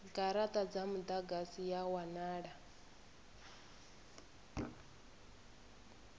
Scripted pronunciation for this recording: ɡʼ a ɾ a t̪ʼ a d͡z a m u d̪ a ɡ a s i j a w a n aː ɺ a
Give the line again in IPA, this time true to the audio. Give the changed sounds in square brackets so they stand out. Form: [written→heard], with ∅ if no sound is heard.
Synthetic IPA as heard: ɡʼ a ɾ a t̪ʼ a d͡z a m u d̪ a ɡ a s i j a w a n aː ɺ a